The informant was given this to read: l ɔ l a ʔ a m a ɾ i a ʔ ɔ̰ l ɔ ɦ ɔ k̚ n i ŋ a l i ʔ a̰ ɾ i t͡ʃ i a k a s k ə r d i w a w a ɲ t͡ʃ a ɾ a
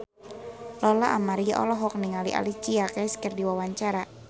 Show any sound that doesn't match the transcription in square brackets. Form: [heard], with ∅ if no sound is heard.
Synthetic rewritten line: l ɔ l a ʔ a m a ɾ i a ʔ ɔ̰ l ɔ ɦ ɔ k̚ n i ŋ a l i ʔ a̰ [l] i t͡ʃ i a k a s k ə r d i w a w a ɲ t͡ʃ a ɾ a